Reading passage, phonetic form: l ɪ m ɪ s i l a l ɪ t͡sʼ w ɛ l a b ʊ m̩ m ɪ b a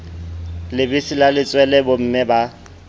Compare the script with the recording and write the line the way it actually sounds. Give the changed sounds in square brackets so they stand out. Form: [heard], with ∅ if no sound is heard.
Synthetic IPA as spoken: l ɪ [b] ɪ s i l a l ɪ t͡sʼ w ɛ l [ɛ] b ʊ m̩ m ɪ b a

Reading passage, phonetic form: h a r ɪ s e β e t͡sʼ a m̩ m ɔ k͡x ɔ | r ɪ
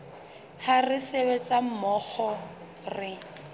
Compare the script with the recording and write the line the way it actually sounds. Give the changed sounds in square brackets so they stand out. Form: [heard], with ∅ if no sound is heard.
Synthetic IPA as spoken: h a r ɪ s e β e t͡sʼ a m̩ m ɔ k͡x ɔ | r ɪ

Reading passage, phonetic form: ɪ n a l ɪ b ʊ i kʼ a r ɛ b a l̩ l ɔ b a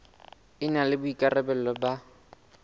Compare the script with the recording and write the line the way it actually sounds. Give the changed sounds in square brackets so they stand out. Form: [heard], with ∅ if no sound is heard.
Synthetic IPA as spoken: ɪ n a l ɪ b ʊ i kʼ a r ɛ b [ɛ] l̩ l ɔ b a

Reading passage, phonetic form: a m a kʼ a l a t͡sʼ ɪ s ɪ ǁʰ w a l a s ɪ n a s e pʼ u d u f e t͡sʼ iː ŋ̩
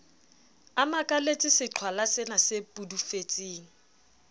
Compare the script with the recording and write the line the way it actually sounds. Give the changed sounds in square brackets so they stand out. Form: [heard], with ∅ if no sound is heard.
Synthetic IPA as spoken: a m a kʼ a l [e] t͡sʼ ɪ s ɪ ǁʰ w a l a s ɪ n a s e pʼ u d u f e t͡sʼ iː ŋ̩

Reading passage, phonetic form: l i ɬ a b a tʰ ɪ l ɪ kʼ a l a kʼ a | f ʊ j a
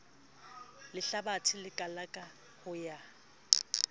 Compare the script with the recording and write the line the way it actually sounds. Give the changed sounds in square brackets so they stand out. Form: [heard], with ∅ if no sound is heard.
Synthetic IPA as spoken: l [ɪ] ɬ a b a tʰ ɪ l ɪ kʼ a l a kʼ a | [h] ʊ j a

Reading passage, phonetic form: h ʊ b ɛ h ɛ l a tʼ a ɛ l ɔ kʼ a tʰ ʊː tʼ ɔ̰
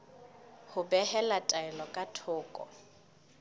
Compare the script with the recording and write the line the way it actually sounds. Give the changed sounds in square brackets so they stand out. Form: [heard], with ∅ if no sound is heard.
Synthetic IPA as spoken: h ʊ b ɛ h ɛ l a tʼ a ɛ l ɔ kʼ a tʰ ʊː [kʼ] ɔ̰

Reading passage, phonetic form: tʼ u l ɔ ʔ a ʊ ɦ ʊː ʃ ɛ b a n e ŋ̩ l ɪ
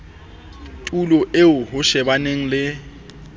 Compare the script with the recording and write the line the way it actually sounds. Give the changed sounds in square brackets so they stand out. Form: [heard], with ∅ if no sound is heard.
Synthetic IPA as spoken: tʼ u l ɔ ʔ [e] ʊ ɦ [ʊ] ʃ ɛ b a n e ŋ̩ l ɪ

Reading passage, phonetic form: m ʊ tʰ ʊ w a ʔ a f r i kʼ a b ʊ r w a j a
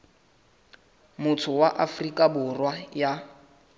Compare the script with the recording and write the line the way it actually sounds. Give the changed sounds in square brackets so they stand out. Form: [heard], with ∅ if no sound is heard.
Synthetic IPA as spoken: m ʊ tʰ ʊ w a ʔ a f r i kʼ a b ʊ r w a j a

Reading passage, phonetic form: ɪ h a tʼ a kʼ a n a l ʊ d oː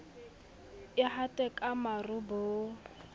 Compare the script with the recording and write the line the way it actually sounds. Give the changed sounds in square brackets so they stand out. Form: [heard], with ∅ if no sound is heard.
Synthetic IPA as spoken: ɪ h a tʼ [ɛ] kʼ a [m] a [r] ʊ [b] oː

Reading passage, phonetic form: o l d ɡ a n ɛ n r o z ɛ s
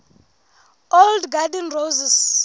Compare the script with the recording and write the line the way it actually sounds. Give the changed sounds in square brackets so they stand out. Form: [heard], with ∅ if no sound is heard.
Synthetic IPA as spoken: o l d ɡ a [d] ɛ n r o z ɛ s

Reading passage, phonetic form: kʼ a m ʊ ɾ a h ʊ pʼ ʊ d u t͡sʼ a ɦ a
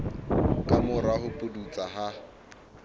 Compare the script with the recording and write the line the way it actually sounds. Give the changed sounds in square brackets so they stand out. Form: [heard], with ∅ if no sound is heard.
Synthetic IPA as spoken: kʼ a m ʊ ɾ a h ʊ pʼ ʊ d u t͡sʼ a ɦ a

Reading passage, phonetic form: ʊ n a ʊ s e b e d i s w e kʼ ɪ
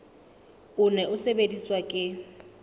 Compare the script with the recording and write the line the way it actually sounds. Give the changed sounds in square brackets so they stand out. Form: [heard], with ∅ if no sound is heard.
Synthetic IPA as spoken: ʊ n [ɛ] ʊ s e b e d i s w [a] kʼ ɪ

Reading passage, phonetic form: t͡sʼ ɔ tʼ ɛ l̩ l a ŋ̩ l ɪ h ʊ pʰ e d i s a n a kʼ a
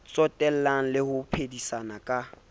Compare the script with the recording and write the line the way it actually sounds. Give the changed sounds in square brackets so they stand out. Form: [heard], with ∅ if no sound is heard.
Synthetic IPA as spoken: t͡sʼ ɔ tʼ ɛ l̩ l a ŋ̩ l ɪ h ʊ pʰ e d i s a n a kʼ a

